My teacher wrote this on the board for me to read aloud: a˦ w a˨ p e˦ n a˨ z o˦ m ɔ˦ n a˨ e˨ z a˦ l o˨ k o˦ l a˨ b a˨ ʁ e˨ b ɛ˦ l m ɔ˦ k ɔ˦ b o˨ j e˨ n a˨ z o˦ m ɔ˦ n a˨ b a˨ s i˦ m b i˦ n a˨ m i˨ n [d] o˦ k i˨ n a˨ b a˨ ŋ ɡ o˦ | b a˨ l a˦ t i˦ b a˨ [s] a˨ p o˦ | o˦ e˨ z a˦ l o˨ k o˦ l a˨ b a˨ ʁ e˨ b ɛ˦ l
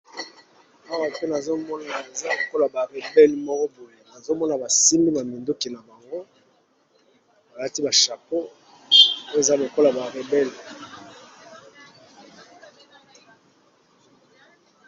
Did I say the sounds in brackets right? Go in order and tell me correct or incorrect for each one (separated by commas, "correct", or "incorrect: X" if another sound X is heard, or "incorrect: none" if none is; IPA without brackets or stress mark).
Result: correct, incorrect: ʃ